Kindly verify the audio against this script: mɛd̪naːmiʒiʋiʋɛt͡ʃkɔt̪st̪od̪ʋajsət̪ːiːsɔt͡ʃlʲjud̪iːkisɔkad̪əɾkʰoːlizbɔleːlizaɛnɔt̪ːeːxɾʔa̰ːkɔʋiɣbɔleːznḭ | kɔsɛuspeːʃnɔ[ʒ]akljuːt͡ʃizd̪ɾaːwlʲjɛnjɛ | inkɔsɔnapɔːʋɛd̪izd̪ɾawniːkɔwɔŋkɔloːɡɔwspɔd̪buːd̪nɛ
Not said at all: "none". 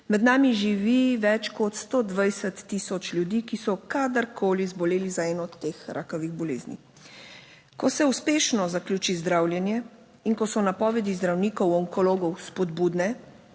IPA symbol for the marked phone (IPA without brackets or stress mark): z